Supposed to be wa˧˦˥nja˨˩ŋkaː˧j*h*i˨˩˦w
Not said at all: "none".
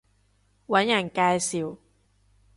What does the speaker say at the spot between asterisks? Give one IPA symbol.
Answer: s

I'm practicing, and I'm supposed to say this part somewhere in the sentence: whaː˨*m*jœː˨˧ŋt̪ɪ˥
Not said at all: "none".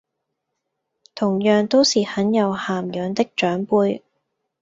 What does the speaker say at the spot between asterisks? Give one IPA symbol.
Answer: m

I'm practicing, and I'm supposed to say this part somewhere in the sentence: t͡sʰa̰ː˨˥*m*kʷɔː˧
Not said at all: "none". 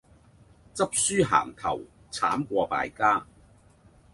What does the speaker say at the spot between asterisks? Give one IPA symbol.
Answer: m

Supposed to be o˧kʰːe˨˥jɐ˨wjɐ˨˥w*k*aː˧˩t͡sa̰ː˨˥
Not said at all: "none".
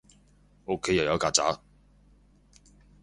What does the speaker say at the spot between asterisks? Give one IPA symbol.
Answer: k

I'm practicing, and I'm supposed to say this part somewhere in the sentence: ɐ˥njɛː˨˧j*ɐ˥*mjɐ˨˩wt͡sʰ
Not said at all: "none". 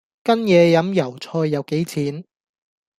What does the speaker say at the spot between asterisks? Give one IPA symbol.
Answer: ɐ˨˥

